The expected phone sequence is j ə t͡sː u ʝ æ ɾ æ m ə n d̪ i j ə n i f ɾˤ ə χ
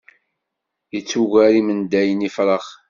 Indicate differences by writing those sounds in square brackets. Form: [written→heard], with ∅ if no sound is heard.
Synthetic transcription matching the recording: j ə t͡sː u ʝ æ ɾ [æ→i] m ə n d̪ [i→æ] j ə n i f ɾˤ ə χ